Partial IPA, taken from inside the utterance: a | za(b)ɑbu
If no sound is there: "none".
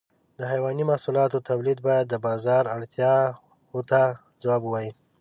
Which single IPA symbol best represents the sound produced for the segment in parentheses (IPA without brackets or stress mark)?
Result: w